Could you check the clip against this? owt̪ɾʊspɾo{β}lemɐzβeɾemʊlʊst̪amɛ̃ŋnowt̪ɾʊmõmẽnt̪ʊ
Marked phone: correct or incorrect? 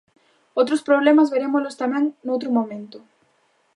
correct